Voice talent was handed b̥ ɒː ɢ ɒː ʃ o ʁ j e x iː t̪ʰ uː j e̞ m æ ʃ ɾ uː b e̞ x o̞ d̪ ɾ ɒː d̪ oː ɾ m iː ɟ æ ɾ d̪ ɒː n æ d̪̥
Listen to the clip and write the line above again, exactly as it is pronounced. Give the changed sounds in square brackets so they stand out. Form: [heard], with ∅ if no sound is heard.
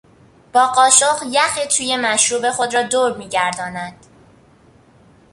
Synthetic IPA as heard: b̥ ɒː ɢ ɒː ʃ o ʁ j [æ] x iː t̪ʰ uː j e̞ m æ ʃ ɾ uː b e̞ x o̞ d̪ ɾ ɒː d̪ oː ɾ m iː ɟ æ ɾ d̪ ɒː n æ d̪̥